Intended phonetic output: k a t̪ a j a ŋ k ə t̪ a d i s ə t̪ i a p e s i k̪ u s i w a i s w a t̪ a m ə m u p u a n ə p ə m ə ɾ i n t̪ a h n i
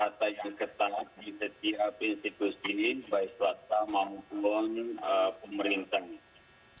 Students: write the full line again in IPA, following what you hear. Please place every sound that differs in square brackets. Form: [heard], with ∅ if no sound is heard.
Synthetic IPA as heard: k a t̪ a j a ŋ k ə t̪ a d i s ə t̪ i a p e s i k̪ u s i [b] a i s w a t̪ a m [a] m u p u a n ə p ə m ə ɾ i n t̪ a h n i